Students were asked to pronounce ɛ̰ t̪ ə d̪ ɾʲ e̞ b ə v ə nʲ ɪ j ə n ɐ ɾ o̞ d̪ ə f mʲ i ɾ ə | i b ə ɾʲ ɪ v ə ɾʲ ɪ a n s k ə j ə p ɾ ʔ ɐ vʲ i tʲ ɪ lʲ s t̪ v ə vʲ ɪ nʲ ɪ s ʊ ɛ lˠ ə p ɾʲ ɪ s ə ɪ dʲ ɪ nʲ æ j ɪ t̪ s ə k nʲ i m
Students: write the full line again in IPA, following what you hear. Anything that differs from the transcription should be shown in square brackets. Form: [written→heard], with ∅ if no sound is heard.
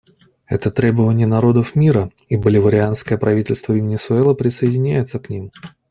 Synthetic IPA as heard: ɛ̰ t̪ ə [d̪→t̪] ɾʲ e̞ b ə v ə nʲ ɪ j ə n ɐ ɾ o̞ d̪ ə f mʲ i ɾ ə | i b ə [ɾʲ→lʲ] ɪ v ə ɾʲ ɪ a n s k ə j ə p ɾ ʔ ɐ vʲ i tʲ ɪ lʲ s t̪ v ə vʲ ɪ nʲ ɪ s ʊ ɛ lˠ ə p ɾʲ ɪ s ə ɪ dʲ ɪ nʲ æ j ɪ t̪ s ə k nʲ i m